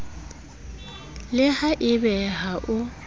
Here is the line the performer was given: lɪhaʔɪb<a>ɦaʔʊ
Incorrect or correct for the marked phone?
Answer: incorrect: ɛ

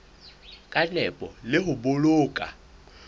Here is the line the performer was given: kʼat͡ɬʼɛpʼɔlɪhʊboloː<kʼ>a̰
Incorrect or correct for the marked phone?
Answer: correct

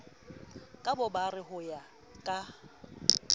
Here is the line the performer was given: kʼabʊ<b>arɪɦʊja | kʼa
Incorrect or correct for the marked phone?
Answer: correct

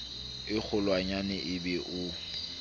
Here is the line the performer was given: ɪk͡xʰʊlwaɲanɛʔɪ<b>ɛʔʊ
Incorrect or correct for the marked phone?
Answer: correct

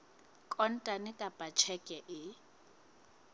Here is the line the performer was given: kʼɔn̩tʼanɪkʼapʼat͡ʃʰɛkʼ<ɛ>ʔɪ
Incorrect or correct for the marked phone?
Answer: correct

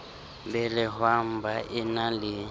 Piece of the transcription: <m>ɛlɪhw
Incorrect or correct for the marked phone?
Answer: incorrect: b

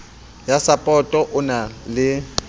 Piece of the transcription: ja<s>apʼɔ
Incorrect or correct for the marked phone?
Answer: correct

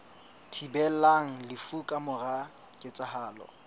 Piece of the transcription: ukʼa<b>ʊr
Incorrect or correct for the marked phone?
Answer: incorrect: m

